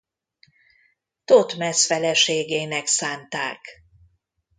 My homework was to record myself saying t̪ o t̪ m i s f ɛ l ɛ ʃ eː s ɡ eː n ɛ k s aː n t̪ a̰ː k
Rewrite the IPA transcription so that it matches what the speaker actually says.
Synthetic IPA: t̪ o t̪ m ɛ s f ɛ l ɛ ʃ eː ɡ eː n ɛ k s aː n t̪ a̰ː k